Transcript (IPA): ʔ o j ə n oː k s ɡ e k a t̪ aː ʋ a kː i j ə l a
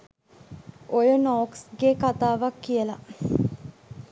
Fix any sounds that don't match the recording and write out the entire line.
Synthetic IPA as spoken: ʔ o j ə n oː k s ɡ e k a t̪ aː ʋ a kː i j ə l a